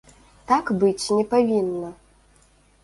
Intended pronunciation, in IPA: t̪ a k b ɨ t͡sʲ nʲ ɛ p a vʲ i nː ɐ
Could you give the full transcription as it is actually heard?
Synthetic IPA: t̪ a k b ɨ t͡sʲ nʲ ɛ p a vʲ i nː ɐ